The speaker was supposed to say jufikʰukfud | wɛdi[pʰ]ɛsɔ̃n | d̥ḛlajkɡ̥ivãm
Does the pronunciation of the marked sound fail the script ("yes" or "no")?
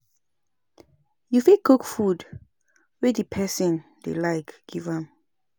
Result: no